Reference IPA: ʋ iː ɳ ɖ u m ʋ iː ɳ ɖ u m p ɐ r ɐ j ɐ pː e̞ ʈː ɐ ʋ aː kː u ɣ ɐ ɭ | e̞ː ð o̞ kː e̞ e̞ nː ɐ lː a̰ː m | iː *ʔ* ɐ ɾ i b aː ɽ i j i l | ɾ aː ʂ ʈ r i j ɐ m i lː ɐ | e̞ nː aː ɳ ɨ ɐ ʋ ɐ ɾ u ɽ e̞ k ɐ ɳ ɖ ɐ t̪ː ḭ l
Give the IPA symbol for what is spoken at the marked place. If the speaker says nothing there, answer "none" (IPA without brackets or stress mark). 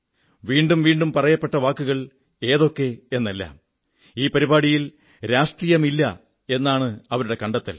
p